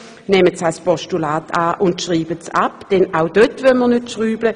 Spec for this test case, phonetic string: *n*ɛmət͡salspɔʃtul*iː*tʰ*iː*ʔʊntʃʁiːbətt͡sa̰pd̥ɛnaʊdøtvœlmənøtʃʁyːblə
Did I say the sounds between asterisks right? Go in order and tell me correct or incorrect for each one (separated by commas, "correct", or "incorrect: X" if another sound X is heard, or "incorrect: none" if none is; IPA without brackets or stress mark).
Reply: correct, incorrect: aː, incorrect: aː